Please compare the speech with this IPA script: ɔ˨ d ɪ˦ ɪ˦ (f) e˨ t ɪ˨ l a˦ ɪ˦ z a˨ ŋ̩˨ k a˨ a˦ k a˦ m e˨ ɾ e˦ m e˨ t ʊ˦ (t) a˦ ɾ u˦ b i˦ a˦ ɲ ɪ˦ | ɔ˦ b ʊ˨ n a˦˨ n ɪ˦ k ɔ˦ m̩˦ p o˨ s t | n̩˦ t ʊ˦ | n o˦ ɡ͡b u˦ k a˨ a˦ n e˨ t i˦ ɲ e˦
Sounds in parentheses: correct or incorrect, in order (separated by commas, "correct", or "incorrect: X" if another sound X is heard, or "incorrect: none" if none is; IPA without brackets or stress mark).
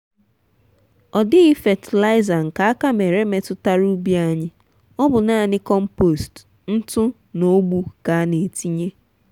correct, correct